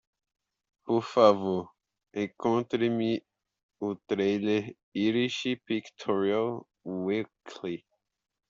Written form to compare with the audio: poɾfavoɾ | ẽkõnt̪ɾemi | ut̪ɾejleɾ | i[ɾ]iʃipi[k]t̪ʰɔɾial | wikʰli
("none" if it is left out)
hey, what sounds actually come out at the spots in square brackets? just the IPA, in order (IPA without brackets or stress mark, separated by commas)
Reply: ɾ, k